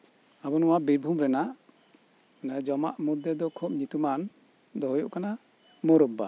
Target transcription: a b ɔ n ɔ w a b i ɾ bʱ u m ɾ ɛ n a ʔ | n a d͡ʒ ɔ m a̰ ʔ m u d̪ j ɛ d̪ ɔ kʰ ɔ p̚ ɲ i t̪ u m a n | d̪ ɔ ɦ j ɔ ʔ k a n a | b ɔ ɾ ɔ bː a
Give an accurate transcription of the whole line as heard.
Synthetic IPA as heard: a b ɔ n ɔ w a b i ɾ bʱ u m ɾ ɛ n a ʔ | n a d͡ʒ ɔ m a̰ ʔ m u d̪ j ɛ d̪ ɔ kʰ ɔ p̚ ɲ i t̪ u m a n | d̪ ɔ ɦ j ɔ ʔ k a n a | m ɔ ɾ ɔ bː a

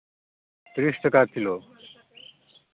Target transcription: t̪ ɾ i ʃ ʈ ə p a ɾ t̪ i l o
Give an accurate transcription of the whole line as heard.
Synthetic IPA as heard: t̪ ɾ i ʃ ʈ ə k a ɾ t̪ʰ i l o

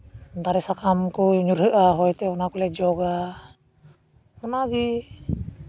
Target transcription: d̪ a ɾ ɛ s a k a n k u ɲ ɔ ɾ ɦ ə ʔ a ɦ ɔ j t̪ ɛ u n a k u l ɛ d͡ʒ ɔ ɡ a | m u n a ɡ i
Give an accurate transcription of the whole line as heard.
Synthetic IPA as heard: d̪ a ɾ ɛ s a k a m k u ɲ u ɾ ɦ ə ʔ a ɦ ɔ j t̪ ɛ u n a k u l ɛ d͡ʒ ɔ ɡ a | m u n a ɡ i

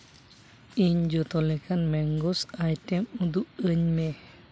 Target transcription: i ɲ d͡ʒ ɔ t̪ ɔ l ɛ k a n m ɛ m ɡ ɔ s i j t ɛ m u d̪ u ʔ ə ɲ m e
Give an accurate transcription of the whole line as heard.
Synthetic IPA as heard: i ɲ d͡ʒ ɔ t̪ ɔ l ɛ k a n m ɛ ŋ ɡ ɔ s a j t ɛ m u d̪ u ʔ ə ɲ m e

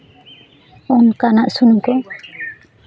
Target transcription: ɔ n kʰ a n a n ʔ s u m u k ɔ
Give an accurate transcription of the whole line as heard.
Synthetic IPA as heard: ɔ n k a n a ʔ s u n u k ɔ

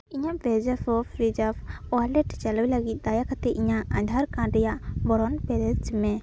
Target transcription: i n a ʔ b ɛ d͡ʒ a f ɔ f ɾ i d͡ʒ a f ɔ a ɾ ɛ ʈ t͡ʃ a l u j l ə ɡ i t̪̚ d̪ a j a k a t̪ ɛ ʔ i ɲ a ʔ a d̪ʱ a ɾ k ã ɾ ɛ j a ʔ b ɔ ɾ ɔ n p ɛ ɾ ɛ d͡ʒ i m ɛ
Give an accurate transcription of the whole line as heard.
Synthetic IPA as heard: i ɲ a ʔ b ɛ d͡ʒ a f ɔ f ɾ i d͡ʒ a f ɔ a l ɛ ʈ t͡ʃ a l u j l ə ɡ i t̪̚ d̪ a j a k a t̪ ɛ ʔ i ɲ a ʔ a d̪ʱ a ɾ k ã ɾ ɛ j a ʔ b ɔ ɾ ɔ n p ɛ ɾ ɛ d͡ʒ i m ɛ

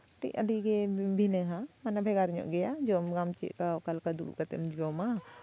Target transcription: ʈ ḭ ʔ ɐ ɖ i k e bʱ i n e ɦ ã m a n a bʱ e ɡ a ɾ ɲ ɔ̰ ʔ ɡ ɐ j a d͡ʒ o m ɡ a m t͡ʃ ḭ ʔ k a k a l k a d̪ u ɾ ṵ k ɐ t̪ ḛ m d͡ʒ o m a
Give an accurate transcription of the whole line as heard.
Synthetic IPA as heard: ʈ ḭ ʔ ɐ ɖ i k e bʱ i n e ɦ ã m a n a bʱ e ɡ a ɾ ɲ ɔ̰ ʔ ɡ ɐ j a d͡ʒ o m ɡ a m t͡ʃ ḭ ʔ k a k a l k a d̪ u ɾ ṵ k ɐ t̪ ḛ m d͡ʒ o m a

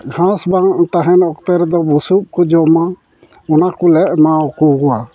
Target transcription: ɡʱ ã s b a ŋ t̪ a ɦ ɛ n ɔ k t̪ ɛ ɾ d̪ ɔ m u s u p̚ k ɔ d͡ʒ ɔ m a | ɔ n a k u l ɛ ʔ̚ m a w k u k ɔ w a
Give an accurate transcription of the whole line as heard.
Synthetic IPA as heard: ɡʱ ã s b a ŋ t̪ a ɦ ɛ n ɔ k t̪ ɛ ɾ d̪ ɔ b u s u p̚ k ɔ d͡ʒ ɔ m a | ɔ n a k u l ɛ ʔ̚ m a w k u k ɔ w a

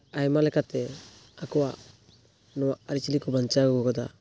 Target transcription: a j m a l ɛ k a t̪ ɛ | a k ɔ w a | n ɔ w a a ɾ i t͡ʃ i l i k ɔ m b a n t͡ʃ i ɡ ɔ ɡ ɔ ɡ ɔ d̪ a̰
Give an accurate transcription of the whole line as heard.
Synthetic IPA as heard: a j m a l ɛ k a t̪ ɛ | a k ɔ w a | n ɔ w a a ɾ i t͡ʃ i l i k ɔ b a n t͡ʃ a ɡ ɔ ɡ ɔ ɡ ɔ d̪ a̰

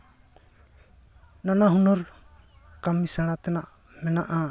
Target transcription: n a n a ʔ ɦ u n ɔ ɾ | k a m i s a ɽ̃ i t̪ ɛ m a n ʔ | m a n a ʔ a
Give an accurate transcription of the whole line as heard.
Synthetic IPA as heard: n a n a ɦ u n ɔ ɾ | k a m i s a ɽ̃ a t̪ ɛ n a ʔ | m ɛ n a ʔ a

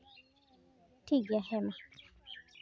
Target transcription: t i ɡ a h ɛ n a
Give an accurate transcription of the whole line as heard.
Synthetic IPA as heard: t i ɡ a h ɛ m a

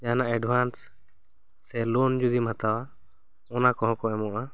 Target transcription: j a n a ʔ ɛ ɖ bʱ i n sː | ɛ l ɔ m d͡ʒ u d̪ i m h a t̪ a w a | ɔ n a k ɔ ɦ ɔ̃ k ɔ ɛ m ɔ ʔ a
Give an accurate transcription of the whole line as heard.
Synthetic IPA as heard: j a n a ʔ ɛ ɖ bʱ a n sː | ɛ l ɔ n d͡ʒ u d̪ i m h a t̪ a w a | ɔ n a k ɔ ɦ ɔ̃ k ɔ ɛ m ɔ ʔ a

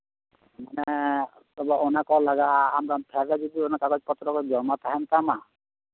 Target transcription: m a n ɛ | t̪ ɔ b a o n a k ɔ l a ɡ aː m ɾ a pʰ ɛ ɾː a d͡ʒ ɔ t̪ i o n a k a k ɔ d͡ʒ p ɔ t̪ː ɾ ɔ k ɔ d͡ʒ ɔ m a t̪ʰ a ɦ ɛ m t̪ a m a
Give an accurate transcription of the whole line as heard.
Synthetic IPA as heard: m a n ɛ | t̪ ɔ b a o n a k ɔ l a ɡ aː m ɾ a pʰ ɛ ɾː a d͡ʒ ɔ d̪ i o n a k a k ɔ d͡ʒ p ɔ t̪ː ɾ ɔ k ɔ d͡ʒ ɔ m a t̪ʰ a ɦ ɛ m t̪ a m a

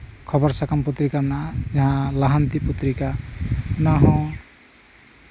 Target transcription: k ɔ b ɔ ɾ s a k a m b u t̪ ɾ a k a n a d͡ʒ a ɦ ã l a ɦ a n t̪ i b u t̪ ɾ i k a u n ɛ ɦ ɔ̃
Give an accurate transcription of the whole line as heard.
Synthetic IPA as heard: kʰ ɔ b ɔ ɾ s a k a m p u t̪ ɾ i k a n a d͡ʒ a ɦ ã l a ɦ a n t̪ i p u t̪ ɾ i k a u n a ɦ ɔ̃

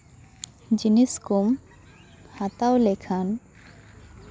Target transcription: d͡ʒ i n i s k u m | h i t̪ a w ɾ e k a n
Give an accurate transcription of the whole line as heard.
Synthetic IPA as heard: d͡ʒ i n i s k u m | h a t̪ a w l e kʰ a n

